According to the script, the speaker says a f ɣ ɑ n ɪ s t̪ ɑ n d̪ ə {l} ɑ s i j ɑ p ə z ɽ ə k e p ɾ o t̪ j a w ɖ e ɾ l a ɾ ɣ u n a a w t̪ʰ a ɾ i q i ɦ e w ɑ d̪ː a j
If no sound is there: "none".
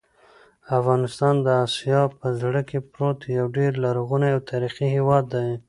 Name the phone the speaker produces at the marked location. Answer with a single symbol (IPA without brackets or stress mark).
none